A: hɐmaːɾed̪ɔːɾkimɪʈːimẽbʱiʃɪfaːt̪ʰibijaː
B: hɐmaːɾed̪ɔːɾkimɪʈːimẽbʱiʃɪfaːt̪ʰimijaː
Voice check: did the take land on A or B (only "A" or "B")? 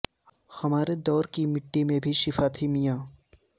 B